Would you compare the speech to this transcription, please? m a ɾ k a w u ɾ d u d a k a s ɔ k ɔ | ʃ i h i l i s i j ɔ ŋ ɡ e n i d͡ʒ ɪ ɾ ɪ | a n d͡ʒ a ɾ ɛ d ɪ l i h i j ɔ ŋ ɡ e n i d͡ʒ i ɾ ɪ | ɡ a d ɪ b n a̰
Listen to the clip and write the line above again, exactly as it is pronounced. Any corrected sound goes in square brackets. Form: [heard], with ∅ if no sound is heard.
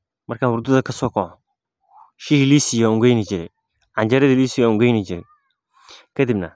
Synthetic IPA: m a ɾ k a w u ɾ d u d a k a s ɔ k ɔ | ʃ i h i l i s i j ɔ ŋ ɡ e n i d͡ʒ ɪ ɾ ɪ | a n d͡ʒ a ɾ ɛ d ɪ l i [s] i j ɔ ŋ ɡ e n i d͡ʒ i ɾ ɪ | [k] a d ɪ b n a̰